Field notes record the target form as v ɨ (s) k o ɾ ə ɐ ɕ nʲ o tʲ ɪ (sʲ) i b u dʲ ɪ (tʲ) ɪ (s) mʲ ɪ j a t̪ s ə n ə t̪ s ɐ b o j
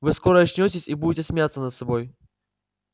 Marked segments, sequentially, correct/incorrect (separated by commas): correct, correct, correct, correct